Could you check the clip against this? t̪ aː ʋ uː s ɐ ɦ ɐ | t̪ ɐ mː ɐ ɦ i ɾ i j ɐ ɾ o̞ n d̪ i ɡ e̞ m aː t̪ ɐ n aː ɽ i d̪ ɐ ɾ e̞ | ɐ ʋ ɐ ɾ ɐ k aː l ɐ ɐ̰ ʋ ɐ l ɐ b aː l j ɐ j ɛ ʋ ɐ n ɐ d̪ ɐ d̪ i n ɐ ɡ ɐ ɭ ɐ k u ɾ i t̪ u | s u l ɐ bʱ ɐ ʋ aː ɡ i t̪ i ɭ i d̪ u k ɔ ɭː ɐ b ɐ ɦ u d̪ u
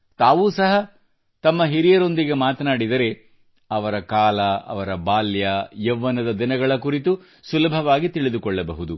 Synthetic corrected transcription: t̪ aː ʋ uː s ɐ ɦ ɐ | t̪ ɐ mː ɐ ɦ i ɾ i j ɐ ɾ o̞ n d̪ i ɡ e̞ m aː t̪ ɐ n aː ɽ i d̪ ɐ ɾ e̞ | ɐ ʋ ɐ ɾ ɐ k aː l ɐ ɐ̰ ʋ ɐ ɾ ɐ b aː l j ɐ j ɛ ʋː ɐ n ɐ d̪ ɐ d̪ i n ɐ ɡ ɐ ɭ ɐ k u ɾ i t̪ u | s u l ɐ bʱ ɐ ʋ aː ɡ i t̪ i ɭ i d̪ u k ɔ ɭː ɐ b ɐ ɦ u d̪ u